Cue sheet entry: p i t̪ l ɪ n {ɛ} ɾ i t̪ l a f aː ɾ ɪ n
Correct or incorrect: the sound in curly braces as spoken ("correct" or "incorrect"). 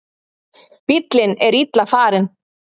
correct